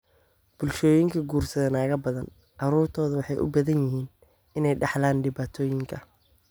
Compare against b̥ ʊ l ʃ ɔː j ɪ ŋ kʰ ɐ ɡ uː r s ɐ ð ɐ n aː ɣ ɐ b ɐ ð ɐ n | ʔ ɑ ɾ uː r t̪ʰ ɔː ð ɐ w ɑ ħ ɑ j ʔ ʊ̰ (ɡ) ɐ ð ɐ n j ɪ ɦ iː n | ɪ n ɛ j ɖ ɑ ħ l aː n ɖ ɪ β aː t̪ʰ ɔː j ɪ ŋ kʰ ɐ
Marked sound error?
yes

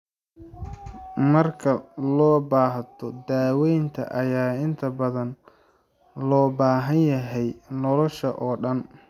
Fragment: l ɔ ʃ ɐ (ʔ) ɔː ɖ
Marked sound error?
no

